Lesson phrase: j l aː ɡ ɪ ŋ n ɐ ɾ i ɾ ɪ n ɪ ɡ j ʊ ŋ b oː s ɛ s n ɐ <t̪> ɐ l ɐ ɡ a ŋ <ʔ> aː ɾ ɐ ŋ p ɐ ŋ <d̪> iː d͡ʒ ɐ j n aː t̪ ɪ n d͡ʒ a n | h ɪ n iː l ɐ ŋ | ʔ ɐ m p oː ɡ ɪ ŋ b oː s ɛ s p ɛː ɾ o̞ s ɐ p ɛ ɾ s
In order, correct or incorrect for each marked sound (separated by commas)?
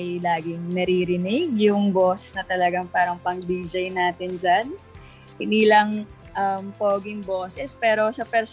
correct, incorrect, correct